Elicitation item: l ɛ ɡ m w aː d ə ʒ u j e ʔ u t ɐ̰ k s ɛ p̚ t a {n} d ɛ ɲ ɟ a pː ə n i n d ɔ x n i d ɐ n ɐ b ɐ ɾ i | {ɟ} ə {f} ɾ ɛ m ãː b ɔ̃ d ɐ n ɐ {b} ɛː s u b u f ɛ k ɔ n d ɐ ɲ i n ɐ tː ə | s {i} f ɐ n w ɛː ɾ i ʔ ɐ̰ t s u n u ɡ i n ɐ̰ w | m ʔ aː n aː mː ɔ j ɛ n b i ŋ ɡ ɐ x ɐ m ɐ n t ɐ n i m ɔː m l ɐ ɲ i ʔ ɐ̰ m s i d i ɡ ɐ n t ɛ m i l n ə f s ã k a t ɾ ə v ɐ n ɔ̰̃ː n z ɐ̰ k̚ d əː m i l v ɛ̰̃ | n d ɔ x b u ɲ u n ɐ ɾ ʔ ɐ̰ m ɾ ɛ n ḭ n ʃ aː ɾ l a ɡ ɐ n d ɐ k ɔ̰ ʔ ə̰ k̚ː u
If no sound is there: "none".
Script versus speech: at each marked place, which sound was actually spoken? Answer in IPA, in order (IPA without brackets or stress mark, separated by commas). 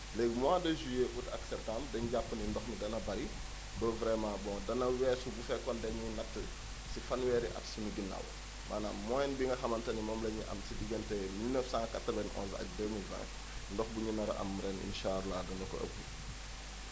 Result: m, b, v, w, i